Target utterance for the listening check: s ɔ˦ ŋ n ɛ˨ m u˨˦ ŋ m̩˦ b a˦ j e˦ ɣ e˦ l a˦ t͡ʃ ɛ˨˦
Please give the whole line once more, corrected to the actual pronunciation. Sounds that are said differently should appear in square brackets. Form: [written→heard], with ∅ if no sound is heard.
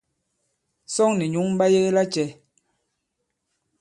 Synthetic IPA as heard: s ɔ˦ ŋ n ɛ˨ [m→ɲ] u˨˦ ŋ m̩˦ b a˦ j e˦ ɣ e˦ l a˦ t͡ʃ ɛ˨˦